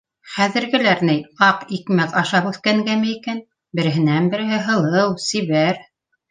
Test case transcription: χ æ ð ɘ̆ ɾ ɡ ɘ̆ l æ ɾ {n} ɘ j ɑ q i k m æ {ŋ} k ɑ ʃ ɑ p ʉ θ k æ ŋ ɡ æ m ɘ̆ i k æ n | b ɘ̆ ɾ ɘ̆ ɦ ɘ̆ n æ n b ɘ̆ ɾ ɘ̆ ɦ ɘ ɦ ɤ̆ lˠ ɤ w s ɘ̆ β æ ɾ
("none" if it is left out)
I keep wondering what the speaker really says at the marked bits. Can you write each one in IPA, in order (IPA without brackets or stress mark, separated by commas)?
n, none